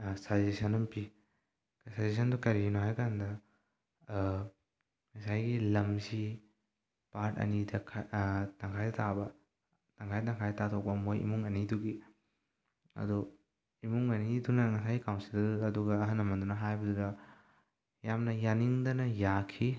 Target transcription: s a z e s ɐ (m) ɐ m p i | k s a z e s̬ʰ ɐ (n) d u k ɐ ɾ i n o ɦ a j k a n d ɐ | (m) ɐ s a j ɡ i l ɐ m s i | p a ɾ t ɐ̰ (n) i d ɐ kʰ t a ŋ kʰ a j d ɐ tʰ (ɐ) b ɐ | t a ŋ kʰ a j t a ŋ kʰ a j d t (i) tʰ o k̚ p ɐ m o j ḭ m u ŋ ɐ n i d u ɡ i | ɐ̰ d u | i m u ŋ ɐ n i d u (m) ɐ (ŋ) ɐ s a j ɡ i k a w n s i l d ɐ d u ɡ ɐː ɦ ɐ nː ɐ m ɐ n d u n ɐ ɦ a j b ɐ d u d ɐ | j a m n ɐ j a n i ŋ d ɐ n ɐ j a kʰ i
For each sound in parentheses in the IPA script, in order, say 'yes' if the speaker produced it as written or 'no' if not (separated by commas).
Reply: no, yes, no, yes, no, no, no, yes